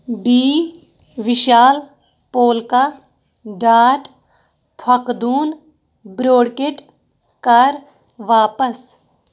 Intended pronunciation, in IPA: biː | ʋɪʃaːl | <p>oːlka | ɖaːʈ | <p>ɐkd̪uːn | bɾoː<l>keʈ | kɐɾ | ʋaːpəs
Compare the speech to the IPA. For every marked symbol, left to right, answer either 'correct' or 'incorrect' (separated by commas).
correct, incorrect, incorrect